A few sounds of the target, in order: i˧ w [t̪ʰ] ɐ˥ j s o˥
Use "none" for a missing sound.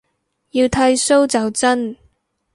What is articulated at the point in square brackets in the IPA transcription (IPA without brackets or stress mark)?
t̪ʰ